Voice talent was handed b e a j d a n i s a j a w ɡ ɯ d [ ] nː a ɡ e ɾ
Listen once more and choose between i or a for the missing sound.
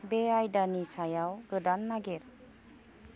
a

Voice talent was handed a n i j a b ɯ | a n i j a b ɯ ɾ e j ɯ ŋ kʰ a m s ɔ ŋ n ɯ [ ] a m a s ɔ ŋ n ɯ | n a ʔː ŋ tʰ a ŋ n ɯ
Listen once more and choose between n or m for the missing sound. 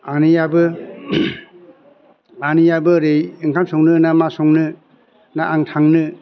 n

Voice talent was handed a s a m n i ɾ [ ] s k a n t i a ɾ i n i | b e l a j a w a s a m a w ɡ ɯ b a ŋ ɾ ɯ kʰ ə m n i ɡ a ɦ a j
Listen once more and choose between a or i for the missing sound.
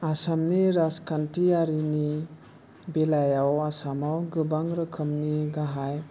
a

